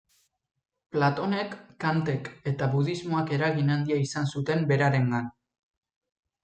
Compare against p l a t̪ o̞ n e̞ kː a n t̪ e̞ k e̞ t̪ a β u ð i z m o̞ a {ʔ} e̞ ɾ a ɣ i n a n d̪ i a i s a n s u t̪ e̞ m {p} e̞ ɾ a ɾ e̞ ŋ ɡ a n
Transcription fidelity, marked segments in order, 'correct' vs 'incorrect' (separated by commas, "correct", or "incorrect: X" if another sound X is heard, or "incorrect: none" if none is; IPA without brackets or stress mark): incorrect: k, incorrect: b